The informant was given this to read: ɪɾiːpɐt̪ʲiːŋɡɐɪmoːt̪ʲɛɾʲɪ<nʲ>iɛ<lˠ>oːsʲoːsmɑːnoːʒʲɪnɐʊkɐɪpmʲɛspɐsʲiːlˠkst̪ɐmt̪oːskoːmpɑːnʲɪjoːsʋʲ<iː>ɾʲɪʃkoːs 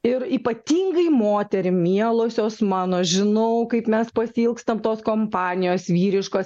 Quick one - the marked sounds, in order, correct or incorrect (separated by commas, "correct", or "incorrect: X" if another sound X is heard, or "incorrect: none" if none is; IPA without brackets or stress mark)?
incorrect: mʲ, correct, correct